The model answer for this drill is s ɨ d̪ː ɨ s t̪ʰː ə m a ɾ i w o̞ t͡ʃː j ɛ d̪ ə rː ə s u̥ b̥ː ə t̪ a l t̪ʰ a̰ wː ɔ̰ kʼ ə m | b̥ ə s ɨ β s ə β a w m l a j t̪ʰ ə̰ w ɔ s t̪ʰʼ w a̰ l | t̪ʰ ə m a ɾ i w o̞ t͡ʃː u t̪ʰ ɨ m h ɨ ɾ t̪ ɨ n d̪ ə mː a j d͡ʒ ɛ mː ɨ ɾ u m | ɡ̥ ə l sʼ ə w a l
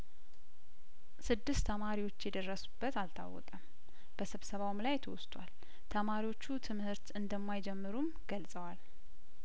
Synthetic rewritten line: s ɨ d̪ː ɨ s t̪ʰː ə m a ɾ i w o̞ t͡ʃː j ɛ d̪ ə rː ə s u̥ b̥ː ə t̪ a l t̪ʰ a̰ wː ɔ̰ kʼ ə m | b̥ ə s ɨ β s ə β a w m l a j t̪ʰ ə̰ w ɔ s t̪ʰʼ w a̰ l | t̪ʰ ə m a ɾ i w o̞ t͡ʃː u t̪ʰ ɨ m h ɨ ɾ t̪ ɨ n d̪ ə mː a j d͡ʒ ɛ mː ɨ ɾ u m | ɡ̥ ə l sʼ ə w a l

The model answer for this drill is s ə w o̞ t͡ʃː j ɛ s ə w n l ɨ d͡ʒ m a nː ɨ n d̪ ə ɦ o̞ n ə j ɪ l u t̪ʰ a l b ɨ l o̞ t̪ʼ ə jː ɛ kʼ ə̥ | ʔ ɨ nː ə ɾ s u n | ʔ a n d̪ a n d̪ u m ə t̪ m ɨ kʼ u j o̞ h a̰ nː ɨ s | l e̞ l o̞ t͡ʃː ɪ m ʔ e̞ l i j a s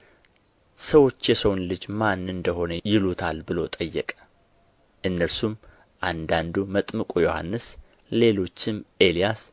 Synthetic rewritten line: s ə w o̞ t͡ʃː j ɛ s ə w n l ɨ d͡ʒ m a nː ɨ n d̪ ə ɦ o̞ n ə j ɪ l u t̪ʰ a l b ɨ l o̞ t̪ʼ ə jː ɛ kʼ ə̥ | ʔ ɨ nː ə ɾ s u m | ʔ a n d̪ a n d̪ u m ə t̪ʼ m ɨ kʼ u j o̞ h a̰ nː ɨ s | l e̞ l o̞ t͡ʃː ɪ m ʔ e̞ l i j a s

